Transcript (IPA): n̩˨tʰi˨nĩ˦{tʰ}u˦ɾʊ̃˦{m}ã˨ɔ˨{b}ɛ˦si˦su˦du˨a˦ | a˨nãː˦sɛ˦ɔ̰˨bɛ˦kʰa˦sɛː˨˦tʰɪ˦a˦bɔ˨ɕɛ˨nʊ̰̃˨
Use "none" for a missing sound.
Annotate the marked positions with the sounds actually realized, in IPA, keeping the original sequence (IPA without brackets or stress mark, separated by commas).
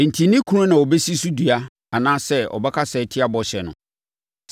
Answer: kʰ, n, b